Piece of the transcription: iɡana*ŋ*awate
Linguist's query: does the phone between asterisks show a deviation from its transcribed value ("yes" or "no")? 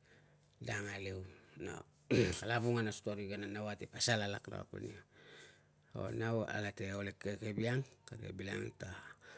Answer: yes